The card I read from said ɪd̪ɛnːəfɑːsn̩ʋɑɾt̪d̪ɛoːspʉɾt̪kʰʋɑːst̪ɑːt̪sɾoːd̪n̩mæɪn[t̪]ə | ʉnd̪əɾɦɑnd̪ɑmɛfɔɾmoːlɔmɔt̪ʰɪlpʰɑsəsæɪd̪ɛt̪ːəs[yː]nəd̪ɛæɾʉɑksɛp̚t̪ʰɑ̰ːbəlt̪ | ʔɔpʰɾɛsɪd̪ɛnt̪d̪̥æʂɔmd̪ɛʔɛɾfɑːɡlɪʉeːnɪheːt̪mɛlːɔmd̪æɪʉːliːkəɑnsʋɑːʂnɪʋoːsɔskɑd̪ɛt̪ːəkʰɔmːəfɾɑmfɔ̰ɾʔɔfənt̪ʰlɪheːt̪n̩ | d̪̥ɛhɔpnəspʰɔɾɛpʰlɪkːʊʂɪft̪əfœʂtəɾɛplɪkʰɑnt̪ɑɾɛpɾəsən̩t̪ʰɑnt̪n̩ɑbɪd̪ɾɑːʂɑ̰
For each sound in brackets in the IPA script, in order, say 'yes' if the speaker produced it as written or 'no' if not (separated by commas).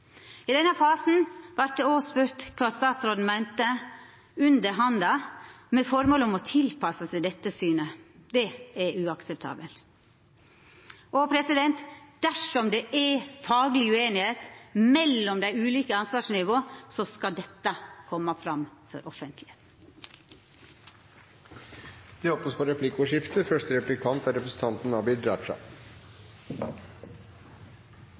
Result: yes, yes